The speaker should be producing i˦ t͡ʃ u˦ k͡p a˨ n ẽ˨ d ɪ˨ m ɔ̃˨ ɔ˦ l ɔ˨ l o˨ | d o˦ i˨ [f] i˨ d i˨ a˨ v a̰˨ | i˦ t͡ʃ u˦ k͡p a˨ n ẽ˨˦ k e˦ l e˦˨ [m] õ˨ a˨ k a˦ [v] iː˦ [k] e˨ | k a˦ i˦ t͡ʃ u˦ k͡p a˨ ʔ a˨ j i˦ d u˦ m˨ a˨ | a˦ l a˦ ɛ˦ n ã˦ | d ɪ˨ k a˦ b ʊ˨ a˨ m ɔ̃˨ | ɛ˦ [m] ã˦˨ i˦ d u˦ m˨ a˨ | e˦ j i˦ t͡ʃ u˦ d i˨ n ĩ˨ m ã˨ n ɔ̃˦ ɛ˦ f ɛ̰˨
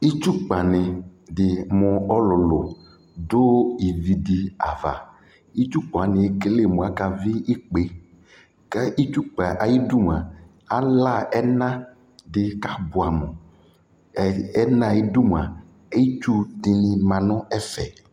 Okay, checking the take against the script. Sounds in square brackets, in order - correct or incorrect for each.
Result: incorrect: v, correct, correct, incorrect: k͡p, incorrect: n

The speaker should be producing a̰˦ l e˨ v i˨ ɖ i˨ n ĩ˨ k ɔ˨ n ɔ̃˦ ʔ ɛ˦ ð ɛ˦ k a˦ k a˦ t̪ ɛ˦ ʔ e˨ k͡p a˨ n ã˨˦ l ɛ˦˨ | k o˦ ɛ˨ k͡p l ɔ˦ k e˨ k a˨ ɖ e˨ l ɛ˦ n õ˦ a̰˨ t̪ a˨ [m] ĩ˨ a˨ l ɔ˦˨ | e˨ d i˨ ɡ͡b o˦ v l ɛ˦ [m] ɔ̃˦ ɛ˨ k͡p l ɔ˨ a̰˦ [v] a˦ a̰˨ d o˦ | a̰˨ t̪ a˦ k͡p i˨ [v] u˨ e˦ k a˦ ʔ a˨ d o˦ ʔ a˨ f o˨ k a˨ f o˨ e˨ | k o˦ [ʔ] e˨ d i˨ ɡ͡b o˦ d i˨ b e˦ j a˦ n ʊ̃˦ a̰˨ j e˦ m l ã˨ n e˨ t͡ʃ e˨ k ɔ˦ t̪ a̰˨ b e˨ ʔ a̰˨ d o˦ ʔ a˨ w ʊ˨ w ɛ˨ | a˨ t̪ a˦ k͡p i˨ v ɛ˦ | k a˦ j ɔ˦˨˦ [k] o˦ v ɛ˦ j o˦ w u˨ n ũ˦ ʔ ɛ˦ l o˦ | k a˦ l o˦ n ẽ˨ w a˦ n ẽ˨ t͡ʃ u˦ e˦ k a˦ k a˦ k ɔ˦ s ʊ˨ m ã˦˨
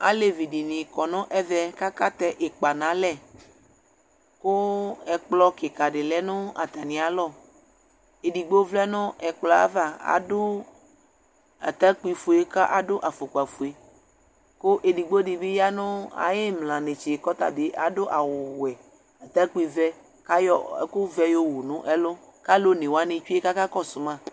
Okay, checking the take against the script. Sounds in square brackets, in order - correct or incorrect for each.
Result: incorrect: n, incorrect: n, correct, incorrect: f, correct, correct

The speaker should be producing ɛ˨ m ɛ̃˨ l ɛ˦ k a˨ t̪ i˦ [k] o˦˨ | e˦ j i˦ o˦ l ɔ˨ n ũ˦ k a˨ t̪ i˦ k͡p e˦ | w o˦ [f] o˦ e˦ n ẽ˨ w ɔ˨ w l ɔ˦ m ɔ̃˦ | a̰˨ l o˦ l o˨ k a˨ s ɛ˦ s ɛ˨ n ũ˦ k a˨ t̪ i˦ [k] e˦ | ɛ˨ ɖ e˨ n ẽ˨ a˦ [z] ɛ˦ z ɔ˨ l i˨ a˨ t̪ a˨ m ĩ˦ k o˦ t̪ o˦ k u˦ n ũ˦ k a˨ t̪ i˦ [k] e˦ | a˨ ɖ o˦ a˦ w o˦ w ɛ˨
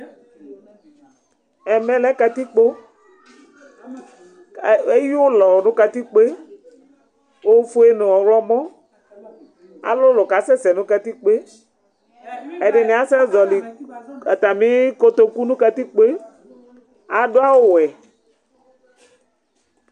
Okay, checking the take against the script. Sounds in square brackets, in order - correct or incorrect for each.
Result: incorrect: k͡p, correct, incorrect: k͡p, incorrect: s, incorrect: k͡p

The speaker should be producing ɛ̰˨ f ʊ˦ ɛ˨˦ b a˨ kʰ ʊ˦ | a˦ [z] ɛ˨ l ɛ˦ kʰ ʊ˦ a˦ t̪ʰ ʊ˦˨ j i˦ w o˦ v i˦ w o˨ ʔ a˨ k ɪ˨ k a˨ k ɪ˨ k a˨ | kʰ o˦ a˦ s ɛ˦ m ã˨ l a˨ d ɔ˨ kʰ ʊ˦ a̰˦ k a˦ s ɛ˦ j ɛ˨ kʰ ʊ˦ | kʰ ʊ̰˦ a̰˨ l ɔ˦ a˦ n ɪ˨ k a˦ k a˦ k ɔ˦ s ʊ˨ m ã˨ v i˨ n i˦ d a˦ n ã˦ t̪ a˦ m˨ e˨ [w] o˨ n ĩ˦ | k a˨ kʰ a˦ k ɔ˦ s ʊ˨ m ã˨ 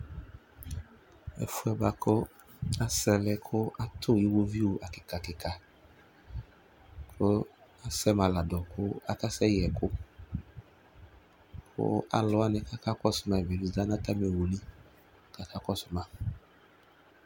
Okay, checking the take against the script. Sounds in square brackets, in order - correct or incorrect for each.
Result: incorrect: s, correct

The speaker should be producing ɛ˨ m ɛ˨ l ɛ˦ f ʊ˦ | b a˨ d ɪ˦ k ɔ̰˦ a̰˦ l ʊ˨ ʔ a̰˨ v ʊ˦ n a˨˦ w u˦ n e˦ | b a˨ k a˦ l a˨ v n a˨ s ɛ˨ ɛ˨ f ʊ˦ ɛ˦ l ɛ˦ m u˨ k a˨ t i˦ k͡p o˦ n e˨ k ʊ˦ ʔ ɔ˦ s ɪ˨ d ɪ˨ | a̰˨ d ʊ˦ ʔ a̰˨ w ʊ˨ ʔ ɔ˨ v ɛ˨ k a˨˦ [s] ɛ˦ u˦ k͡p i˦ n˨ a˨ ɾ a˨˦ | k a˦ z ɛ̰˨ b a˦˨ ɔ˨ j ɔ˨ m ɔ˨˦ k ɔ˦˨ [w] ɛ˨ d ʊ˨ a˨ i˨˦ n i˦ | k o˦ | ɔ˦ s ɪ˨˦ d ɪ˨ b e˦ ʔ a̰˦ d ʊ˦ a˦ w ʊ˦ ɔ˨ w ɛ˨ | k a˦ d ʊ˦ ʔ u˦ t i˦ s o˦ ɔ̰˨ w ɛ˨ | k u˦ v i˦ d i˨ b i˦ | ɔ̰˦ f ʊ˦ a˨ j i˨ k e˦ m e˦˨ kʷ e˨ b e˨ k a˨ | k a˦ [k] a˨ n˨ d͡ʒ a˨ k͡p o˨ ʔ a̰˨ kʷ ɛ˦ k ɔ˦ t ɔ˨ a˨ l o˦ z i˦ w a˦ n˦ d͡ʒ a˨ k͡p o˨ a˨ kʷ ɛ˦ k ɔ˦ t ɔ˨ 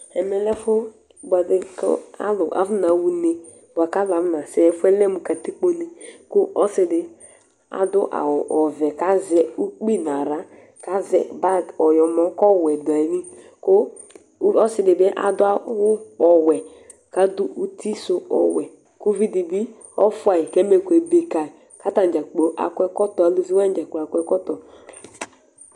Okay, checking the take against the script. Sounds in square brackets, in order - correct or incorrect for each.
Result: incorrect: z, correct, incorrect: t

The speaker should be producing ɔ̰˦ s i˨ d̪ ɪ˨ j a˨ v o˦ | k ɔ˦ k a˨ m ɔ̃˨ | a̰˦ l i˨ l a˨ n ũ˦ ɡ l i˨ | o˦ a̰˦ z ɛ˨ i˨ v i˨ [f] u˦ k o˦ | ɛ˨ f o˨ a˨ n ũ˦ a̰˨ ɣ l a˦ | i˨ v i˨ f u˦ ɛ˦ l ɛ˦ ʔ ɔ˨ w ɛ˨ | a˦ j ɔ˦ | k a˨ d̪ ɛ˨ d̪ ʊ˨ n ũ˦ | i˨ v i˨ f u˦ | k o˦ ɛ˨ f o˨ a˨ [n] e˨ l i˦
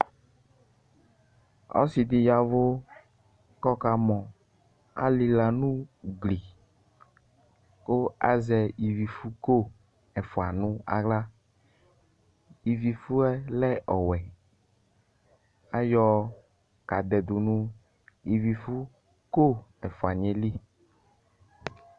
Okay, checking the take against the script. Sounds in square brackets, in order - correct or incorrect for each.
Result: correct, incorrect: ɲ

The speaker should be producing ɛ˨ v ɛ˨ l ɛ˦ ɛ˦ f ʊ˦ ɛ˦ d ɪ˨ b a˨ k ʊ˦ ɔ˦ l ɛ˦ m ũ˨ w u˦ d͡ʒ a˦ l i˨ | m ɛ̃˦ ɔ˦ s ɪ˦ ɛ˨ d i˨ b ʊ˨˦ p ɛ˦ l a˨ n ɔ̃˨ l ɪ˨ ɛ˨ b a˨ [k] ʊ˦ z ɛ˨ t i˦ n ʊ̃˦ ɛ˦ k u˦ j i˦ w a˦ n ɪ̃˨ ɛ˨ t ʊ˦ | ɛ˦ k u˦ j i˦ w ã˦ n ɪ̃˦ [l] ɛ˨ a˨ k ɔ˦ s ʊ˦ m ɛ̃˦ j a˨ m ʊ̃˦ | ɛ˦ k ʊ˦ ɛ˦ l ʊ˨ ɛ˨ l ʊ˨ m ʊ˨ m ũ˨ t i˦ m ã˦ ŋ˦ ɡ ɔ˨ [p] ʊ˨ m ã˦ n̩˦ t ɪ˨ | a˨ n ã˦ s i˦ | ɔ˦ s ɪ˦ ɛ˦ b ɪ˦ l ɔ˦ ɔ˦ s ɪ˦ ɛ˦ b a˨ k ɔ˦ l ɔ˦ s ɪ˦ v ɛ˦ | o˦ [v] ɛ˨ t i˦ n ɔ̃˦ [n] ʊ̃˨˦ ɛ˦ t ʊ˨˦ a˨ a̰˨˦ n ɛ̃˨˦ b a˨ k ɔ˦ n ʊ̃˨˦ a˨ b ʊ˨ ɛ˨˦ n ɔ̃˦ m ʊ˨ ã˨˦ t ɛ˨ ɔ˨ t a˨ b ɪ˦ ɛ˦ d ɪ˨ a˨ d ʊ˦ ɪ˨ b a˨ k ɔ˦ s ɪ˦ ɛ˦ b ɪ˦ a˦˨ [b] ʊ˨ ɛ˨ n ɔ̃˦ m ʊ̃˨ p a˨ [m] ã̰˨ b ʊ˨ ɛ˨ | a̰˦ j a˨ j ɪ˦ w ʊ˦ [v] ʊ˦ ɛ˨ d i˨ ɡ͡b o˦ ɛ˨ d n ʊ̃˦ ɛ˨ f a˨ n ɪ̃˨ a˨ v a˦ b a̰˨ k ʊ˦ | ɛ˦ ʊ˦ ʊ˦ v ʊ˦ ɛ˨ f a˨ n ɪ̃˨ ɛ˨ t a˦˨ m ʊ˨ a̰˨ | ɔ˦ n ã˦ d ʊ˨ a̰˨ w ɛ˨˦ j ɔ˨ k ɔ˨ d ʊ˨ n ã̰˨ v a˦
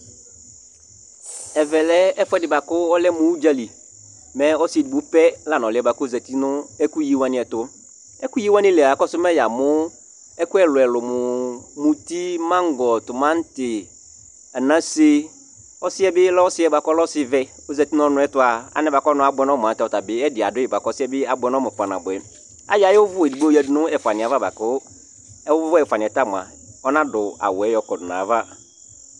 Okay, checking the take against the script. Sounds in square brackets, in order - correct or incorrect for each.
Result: correct, correct, incorrect: t, incorrect: z, correct, correct, incorrect: n, correct

